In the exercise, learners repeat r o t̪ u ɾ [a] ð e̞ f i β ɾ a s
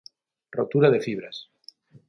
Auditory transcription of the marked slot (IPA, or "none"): a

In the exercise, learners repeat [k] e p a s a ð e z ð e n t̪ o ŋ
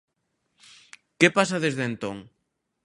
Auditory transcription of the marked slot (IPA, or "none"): k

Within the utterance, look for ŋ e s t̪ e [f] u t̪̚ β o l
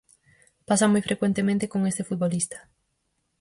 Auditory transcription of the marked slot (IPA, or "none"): f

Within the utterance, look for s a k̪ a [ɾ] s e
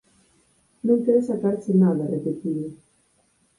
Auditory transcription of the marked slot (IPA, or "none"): ɾ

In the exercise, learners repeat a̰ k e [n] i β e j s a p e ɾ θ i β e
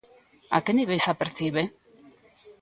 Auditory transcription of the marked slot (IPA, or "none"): n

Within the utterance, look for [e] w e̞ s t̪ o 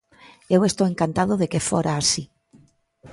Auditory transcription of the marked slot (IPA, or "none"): e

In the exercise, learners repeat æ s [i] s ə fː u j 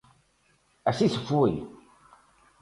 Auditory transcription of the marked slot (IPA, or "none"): i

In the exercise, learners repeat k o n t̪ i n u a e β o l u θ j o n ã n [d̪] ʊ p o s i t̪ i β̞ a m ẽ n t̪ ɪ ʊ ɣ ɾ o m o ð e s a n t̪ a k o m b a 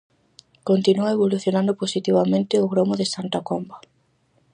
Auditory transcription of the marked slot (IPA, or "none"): d̪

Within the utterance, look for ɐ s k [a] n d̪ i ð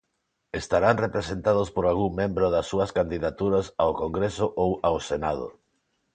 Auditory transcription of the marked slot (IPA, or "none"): a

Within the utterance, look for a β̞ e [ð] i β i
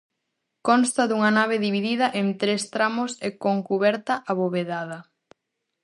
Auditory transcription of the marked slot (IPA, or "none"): ð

